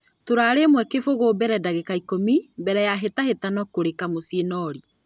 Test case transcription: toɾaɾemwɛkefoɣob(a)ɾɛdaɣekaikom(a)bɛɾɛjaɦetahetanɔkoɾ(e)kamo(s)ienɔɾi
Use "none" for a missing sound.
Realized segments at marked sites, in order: ɛ, i, e, s

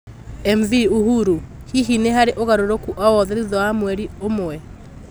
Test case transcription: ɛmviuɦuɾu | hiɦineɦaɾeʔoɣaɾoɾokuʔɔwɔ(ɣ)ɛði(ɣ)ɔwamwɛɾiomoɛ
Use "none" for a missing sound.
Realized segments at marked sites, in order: ð, ð

